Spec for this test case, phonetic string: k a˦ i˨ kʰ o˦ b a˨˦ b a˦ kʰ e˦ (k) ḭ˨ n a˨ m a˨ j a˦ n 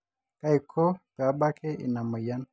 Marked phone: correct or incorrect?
incorrect